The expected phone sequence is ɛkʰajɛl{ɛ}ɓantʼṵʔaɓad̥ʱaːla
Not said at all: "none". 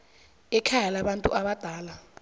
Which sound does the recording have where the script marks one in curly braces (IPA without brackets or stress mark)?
a